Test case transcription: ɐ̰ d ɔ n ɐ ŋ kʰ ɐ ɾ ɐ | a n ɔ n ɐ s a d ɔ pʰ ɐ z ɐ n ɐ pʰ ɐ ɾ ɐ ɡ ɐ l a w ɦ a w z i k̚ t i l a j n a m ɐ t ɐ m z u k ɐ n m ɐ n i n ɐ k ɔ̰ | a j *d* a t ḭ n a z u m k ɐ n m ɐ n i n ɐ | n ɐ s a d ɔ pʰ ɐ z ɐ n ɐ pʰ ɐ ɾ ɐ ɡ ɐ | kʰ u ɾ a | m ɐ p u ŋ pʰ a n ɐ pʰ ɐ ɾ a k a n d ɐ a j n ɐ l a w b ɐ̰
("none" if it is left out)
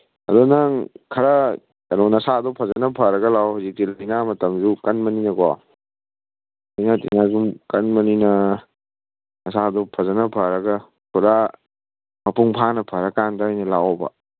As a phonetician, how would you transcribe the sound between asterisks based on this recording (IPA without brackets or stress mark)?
n